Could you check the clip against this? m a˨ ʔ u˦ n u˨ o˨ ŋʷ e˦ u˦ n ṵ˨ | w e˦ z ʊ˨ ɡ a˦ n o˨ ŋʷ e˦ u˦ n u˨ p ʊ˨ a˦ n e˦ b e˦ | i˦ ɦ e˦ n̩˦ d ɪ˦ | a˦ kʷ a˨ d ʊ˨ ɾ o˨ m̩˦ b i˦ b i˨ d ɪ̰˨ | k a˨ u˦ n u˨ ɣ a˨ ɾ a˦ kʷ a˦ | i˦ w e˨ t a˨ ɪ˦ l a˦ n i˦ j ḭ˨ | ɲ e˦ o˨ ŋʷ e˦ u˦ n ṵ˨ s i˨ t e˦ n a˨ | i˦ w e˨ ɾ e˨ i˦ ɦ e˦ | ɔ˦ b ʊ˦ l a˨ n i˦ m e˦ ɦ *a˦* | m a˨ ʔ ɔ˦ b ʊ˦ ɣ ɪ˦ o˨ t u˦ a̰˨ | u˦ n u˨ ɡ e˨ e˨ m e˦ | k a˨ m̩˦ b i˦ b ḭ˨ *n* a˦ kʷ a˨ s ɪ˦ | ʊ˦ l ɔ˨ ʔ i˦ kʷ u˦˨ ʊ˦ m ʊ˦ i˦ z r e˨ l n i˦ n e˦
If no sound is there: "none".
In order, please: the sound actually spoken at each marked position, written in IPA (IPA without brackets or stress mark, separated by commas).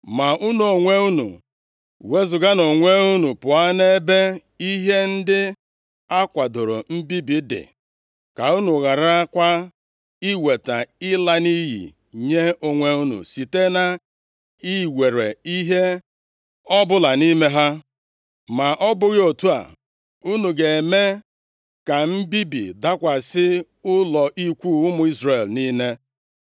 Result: a˦, d